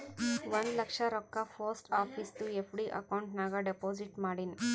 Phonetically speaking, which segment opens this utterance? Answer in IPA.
ʋ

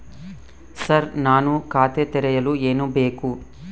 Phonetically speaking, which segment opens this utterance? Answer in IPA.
s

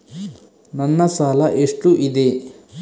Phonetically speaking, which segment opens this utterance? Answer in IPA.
n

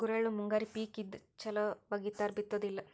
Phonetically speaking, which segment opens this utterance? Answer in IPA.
ɡ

